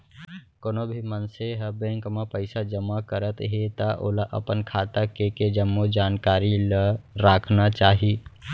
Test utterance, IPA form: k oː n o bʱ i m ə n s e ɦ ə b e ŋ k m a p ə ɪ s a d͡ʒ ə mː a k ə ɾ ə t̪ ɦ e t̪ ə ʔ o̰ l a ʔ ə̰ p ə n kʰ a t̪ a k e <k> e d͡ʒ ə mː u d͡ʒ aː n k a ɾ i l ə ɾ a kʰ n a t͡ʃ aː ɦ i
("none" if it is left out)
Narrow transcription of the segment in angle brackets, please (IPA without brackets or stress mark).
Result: k